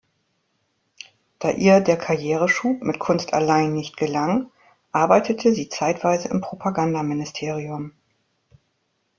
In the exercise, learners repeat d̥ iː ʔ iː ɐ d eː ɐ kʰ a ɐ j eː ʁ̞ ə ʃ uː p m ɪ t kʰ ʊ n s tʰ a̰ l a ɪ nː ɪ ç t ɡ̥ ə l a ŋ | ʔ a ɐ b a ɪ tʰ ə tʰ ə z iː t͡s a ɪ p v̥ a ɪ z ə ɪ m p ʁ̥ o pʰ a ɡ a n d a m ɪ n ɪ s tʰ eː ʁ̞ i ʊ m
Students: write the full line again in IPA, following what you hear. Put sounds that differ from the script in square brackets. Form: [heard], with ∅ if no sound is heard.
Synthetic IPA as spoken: d̥ [aː] ʔ iː ɐ d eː ɐ kʰ a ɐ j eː ʁ̞ ə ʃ uː p m ɪ t kʰ ʊ n s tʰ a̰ l a ɪ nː ɪ ç t ɡ̥ ə l a ŋ | ʔ a ɐ b a ɪ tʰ ə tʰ ə z iː t͡s a ɪ [t] v̥ a ɪ z ə ɪ m p ʁ̥ o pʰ a ɡ a n d a m ɪ n ɪ s tʰ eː ʁ̞ i ʊ m

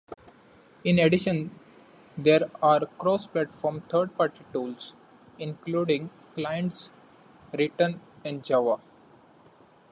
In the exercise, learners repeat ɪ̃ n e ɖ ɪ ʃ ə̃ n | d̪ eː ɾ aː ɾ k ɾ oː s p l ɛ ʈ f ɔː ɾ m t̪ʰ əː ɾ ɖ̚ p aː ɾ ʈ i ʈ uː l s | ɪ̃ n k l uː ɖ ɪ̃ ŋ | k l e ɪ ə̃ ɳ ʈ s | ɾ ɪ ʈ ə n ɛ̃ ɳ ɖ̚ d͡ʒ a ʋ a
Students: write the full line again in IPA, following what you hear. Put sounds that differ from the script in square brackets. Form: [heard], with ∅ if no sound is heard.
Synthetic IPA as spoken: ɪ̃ n e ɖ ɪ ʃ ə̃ n | d̪ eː ɾ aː ɾ k ɾ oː s p l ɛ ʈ f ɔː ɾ m t̪ʰ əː ɾ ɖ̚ p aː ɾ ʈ i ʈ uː l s | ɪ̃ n k l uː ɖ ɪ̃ ŋ | k l [a] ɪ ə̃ ɳ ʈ s | ɾ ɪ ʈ ə n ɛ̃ ɳ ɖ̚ d͡ʒ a ʋ a

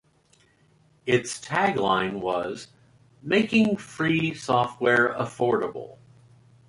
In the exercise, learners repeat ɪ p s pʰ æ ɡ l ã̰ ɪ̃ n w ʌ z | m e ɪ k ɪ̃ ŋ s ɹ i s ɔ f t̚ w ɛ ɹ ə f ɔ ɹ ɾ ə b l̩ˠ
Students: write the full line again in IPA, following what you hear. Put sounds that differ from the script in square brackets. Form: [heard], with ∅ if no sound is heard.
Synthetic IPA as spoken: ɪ [t] s [tʰ] æ ɡ l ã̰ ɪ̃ n w ʌ z | m e ɪ k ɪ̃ ŋ [f] ɹ i s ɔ f t̚ w ɛ ɹ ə f ɔ ɹ ɾ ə b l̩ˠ

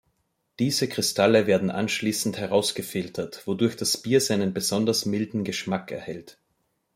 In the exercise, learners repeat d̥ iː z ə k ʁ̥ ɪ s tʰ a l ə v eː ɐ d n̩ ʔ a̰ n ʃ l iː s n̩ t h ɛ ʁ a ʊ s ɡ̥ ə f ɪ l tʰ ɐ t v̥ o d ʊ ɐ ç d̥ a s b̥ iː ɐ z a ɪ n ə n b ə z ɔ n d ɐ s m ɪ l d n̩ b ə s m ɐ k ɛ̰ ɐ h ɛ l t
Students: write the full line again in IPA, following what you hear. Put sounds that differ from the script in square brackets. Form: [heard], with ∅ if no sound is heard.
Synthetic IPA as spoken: d̥ iː z ə k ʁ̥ ɪ s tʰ a l ə v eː ɐ d n̩ ʔ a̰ n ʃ l iː s n̩ t h ɛ ʁ a ʊ s ɡ̥ ə f ɪ l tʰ ɐ t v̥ o d ʊ ɐ ç d̥ a s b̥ iː ɐ z a ɪ n ə n b ə z ɔ n d ɐ s m ɪ l d n̩ [ɡ] ə [ʃ] m [a] k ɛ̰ ɐ h ɛ l t

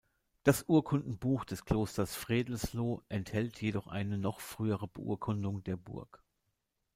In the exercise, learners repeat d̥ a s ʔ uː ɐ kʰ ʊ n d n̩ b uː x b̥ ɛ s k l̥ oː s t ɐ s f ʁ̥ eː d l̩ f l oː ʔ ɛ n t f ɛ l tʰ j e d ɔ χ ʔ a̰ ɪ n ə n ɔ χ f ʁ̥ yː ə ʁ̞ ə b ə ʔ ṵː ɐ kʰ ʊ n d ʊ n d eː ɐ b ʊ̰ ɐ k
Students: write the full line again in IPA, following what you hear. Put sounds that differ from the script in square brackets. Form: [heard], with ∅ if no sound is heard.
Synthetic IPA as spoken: d̥ a s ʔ uː ɐ kʰ ʊ n d n̩ b uː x [d̥] ɛ s k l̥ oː s t ɐ s f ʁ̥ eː d l̩ [s] l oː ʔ ɛ n t [h] ɛ l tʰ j e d ɔ χ ʔ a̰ ɪ n ə n ɔ χ f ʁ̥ yː ə ʁ̞ ə b ə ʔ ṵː ɐ kʰ ʊ n d ʊ [ŋ] d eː ɐ b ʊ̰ ɐ k

